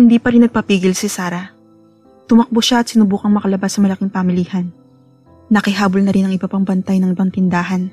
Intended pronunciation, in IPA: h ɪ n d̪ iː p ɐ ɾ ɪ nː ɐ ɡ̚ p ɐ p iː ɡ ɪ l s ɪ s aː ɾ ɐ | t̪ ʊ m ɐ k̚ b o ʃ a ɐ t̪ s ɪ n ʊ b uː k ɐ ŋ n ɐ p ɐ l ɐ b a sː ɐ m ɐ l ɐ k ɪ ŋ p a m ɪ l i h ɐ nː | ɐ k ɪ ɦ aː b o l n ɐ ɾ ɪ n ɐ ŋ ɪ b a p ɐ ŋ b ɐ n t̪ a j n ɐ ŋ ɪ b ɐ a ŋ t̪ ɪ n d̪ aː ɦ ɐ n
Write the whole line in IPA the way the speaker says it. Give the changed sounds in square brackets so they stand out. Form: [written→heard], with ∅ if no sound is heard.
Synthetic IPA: h ɪ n d̪ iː p ɐ ɾ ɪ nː ɐ ɡ̚ p ɐ p iː ɡ ɪ l s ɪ s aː ɾ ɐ | t̪ ʊ m ɐ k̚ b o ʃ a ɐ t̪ s ɪ n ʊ b uː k ɐ ŋ [n→m] ɐ [p→k] ɐ l ɐ b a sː ɐ m ɐ l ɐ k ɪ ŋ p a m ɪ l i h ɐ nː | ɐ k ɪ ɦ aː b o l n ɐ ɾ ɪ n ɐ ŋ ɪ b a p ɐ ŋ b ɐ n t̪ a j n ɐ ŋ ɪ b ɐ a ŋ t̪ ɪ n d̪ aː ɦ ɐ n